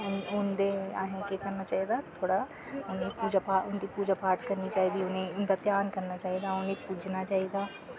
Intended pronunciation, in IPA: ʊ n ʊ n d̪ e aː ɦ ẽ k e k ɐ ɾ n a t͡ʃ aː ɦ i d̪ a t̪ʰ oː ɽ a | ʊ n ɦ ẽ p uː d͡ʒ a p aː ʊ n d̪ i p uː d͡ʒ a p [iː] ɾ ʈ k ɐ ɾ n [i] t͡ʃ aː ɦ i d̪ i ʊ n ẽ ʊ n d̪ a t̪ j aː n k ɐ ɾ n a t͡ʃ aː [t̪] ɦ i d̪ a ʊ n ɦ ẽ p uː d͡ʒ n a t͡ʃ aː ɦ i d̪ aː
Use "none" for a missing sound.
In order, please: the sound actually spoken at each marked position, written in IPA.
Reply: aː, i, none

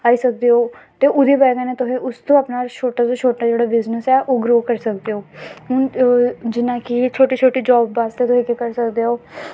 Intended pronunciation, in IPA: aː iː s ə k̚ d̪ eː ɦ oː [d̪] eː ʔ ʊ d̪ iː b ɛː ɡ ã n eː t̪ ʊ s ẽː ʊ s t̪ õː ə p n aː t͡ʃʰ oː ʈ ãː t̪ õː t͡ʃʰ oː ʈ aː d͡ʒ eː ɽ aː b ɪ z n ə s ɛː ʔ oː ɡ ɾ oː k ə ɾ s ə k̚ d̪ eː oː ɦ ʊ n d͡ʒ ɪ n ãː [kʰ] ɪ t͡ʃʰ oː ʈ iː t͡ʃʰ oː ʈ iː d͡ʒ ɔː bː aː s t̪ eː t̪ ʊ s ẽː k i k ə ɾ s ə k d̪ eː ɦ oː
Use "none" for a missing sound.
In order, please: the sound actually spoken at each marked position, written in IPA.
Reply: t̪, k

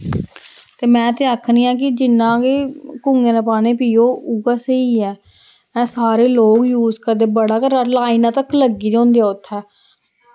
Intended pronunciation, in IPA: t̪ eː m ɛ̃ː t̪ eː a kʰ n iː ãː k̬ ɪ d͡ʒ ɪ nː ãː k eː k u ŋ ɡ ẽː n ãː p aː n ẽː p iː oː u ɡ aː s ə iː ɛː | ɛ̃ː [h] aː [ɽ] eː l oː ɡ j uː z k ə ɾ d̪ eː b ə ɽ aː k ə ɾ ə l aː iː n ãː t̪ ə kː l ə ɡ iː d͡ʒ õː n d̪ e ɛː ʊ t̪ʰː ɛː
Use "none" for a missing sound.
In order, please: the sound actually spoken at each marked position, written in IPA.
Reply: s, ɾ

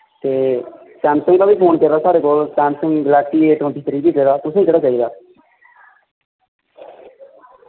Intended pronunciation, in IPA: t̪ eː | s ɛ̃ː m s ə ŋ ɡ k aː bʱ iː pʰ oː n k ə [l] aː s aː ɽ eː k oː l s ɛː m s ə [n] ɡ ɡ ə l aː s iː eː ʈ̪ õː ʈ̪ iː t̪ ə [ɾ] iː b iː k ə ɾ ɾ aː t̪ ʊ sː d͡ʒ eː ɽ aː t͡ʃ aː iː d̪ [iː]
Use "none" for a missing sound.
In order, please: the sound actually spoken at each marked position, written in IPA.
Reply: ɾ, ŋ, ɾ, aː

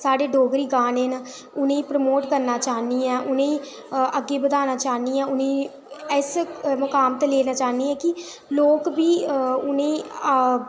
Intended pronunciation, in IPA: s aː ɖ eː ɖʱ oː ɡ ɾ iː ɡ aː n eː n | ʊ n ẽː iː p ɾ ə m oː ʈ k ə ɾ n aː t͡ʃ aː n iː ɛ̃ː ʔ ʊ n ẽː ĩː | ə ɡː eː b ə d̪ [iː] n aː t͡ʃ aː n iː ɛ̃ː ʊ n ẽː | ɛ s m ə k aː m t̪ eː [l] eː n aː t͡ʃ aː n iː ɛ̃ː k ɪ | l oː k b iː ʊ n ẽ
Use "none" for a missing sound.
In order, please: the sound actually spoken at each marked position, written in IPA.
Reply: aː, l

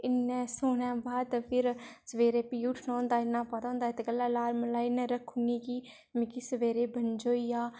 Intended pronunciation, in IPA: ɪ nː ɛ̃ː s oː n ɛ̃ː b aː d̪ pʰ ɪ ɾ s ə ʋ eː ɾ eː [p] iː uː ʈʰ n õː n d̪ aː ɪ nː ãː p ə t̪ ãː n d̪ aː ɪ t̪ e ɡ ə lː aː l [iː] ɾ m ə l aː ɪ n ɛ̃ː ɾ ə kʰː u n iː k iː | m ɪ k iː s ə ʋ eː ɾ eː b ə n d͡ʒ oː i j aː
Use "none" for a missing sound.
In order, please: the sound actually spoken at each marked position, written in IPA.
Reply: p, aː

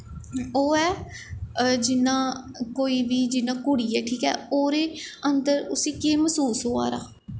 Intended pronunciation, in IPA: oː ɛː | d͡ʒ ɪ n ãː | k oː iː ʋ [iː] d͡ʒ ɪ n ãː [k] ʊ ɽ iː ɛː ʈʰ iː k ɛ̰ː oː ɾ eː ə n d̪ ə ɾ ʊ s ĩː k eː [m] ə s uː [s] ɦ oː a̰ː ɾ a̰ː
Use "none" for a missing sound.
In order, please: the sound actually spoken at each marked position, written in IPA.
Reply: iː, k, m, s

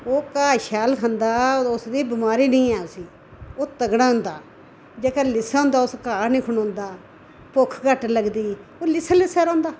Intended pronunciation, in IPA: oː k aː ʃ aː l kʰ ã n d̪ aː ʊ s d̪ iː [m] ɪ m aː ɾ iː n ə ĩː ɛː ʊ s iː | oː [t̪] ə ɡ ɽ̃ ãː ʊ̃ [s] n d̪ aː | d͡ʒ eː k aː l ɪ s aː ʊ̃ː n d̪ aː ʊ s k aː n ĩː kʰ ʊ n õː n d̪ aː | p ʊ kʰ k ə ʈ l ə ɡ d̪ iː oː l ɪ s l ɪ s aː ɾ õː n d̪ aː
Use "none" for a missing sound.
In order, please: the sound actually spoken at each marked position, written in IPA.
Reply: b, t̪, none

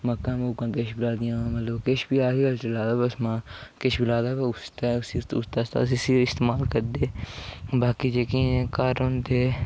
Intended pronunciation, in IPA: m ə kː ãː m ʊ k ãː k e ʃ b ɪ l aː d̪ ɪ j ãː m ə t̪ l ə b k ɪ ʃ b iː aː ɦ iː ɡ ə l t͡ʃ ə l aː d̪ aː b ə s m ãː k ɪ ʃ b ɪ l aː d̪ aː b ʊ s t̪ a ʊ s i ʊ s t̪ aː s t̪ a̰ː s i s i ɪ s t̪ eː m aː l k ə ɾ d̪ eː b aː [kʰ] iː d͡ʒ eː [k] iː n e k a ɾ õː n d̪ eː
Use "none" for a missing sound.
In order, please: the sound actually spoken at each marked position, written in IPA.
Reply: k, k

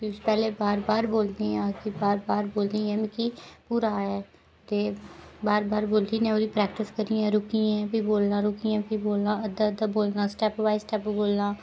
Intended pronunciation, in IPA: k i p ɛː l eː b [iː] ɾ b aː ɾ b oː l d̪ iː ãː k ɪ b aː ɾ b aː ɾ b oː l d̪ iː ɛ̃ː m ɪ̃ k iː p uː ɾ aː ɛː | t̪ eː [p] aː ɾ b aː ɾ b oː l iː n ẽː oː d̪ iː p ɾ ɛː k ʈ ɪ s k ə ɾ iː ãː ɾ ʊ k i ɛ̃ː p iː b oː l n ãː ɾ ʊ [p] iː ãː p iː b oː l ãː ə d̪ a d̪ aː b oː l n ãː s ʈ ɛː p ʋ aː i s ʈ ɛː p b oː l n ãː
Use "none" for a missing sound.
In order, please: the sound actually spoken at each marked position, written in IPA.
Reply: aː, b, k

